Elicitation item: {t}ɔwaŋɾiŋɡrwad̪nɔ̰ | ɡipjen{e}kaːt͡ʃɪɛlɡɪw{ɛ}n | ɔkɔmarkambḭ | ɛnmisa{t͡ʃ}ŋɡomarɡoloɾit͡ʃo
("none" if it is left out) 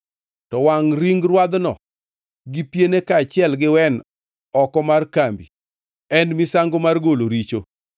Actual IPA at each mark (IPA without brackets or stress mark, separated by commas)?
t, e, ɛ, none